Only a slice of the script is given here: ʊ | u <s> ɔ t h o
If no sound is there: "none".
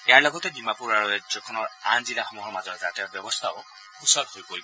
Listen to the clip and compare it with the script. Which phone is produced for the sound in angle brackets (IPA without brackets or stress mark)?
s